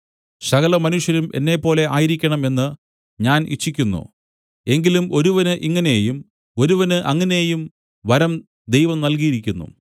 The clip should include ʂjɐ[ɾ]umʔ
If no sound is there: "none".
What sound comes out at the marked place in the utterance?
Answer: ɾ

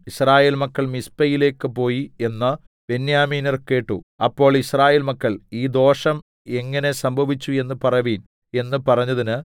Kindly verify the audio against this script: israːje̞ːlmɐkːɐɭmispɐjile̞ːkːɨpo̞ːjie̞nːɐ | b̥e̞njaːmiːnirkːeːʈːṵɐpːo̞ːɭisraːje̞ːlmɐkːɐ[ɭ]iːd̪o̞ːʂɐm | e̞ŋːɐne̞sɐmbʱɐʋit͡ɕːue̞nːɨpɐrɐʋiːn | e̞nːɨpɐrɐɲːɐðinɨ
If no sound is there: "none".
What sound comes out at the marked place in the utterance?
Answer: ɭ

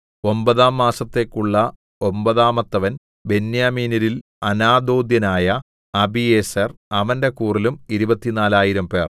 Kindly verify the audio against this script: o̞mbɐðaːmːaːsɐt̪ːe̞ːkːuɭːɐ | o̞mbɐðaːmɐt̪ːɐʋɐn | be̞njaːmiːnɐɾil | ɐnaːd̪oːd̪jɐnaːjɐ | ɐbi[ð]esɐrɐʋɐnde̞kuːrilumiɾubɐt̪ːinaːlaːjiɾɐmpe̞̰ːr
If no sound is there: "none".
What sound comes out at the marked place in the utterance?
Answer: none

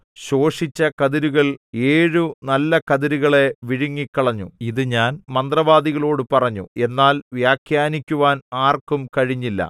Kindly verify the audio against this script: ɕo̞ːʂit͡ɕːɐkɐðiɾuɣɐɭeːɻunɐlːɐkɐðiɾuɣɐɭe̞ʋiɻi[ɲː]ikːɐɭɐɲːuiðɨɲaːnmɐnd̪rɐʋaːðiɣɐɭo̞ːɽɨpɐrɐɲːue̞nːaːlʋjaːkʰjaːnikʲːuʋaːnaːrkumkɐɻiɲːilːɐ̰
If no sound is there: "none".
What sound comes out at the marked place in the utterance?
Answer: ŋː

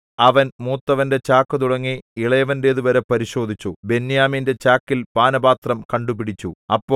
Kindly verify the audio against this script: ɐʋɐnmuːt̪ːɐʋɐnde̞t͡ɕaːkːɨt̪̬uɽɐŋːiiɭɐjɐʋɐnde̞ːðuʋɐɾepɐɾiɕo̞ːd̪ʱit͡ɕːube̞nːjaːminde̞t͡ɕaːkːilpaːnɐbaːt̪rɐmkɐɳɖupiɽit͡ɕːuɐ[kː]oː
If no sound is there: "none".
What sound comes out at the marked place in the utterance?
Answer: pː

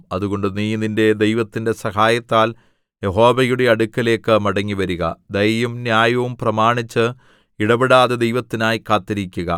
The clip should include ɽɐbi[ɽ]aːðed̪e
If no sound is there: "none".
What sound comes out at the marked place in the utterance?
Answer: ɽ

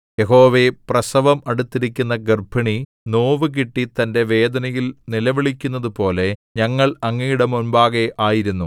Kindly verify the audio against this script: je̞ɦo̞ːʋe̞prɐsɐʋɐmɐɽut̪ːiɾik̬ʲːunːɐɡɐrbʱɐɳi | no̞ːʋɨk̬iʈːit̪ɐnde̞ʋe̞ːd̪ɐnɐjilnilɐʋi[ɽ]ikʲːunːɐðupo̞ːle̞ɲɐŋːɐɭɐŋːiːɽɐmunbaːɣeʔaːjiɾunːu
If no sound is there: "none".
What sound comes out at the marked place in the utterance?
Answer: ɭ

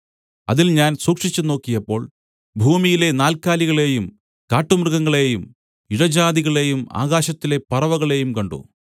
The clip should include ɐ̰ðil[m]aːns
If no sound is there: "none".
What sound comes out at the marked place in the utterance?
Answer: ɲ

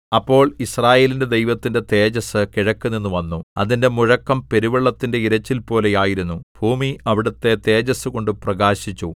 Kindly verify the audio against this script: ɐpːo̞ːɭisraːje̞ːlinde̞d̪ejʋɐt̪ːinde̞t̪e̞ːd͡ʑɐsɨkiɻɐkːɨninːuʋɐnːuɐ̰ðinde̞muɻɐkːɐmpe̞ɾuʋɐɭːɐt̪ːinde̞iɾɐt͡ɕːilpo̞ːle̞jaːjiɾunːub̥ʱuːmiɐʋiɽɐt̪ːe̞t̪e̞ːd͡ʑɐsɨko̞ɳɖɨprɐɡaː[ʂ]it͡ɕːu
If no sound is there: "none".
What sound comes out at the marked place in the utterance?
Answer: ɕ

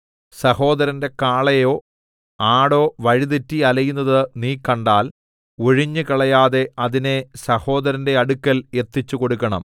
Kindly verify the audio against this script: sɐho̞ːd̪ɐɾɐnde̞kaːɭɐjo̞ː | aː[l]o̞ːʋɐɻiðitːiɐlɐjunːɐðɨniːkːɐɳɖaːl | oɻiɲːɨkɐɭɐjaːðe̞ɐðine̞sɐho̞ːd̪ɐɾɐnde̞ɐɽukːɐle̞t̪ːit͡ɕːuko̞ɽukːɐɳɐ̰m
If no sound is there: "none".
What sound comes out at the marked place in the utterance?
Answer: ɽ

